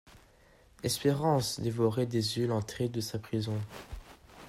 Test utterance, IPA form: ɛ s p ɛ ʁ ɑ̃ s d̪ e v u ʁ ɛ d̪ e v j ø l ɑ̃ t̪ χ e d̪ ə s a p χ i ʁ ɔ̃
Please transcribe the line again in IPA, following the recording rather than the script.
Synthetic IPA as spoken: ɛ s p e ʁ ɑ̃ s d̪ e v ɔ ʁ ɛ d̪ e z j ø l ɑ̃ t̪ χ e d̪ ə s a p χ i z ɔ̃

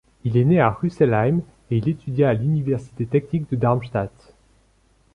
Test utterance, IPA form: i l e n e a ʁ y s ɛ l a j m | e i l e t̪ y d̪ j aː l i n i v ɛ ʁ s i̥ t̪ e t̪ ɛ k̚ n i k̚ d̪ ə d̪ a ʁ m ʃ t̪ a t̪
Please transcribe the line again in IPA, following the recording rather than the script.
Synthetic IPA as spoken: i l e n e a ʁ y s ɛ l a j m | e i l e t̪ y d̪ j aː l y n i v ɛ ʁ s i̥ t̪ e t̪ ɛ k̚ n i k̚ d̪ ə d̪ a ʁ m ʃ t̪ a t̪

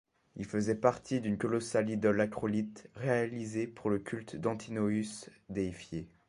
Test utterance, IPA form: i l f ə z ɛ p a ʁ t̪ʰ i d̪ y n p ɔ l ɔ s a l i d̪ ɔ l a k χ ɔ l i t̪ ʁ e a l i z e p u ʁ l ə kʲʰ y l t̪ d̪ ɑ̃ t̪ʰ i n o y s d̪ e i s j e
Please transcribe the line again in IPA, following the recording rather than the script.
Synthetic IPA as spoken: i l f ə z ɛ p a ʁ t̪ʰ i d̪ y n k ɔ l ɔ s a l i d̪ ɔ l a k χ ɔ l i t̪ ʁ e a l i z e p u ʁ l ə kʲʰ y l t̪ d̪ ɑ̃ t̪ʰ i n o y s d̪ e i f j e

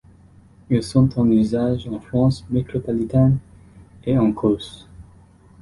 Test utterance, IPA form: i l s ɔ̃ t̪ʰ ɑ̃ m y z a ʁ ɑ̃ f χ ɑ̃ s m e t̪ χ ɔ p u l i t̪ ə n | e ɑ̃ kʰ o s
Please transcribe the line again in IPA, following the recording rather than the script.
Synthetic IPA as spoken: i l s ɔ̃ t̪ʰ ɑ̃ n y z a ʒ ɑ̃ f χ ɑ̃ s m e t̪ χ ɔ p ɔ l i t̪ a n | e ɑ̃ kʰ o s

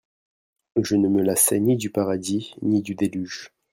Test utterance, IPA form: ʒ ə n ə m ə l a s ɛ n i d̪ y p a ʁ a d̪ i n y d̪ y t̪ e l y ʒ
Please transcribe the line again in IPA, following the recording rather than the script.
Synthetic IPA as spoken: ʒ ə n ə m ə l a s ɛ n i d̪ y p a ʁ a d̪ i n i d̪ y d̪ e l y ʒ

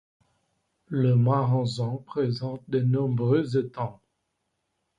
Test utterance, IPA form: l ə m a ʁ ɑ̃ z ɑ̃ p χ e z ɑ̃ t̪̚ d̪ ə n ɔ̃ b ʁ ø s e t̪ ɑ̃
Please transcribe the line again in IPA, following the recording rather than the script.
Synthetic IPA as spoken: l ə m a ʁ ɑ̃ z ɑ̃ p χ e z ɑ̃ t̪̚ d̪ ə n ɔ̃ b ʁ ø z e t̪ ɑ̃

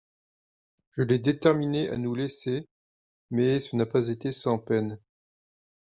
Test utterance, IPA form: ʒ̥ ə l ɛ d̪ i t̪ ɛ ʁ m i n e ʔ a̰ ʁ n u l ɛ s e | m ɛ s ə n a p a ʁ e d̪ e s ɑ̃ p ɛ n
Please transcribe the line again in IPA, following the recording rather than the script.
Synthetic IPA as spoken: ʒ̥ ə l ɛ d̪ e t̪ ɛ ʁ m i n e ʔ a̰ n u l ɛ s e | m ɛ s ə n a p a z e t̪ e s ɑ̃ p ɛ n

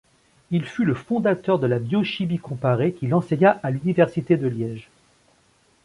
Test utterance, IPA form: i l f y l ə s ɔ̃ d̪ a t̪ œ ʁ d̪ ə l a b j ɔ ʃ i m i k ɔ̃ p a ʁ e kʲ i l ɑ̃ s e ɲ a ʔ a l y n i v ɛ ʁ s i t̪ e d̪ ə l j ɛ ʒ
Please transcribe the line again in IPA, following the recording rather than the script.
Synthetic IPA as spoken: i l f y l ə f ɔ̃ d̪ a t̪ œ ʁ d̪ ə l a b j ɔ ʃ i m i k ɔ̃ p a ʁ e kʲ i l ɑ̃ s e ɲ a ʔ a l y n i v ɛ ʁ s i t̪ e d̪ ə l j ɛ ʒ

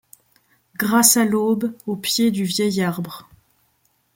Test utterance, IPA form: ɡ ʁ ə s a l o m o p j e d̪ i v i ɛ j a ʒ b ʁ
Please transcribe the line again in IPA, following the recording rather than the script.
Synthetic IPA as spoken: ɡ ʁ a s a l o b o p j e d̪ y v j ɛ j a ʁ b ʁ

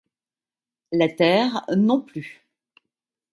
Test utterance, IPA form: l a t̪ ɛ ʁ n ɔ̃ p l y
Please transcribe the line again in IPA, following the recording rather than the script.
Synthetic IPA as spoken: l a t̪ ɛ ʁ n ɔ̃ p l y

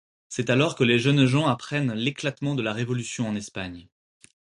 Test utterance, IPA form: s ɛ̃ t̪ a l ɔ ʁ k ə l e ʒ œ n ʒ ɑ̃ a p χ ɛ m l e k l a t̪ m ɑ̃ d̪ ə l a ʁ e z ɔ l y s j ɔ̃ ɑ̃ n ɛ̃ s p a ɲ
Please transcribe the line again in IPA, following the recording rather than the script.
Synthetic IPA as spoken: s ɛ t̪ a l ɔ ʁ k ə l e ʒ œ n ʒ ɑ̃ a p χ ɛ n l e k l a t̪ m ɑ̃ d̪ ə l a ʁ e v ɔ l y s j ɔ̃ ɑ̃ n ɛ s p a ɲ

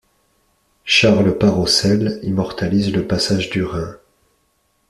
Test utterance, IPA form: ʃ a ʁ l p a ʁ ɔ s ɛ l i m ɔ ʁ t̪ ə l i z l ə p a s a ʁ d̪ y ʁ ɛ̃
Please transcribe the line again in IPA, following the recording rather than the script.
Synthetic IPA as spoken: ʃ a ʁ l p a ʁ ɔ s ɛ l i m ɔ ʁ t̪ a l i z l ə p a s a ʒ d̪ y ʁ ɛ̃

